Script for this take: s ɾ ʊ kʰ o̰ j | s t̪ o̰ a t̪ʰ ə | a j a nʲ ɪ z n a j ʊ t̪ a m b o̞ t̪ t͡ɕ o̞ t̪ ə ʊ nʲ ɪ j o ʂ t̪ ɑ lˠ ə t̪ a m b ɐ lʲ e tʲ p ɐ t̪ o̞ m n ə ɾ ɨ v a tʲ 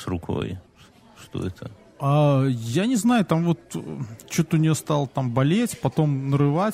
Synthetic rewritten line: s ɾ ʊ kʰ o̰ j | ʂ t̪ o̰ ɛ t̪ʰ ə | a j a nʲ ɪ z n a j ʊ t̪ a m v o̞ t̪ t͡ɕ o̞ t̪ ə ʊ nʲ ɪ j o s t̪ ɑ lˠ ə t̪ a m b ɐ lʲ e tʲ p ɐ t̪ o̞ m n ə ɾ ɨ v a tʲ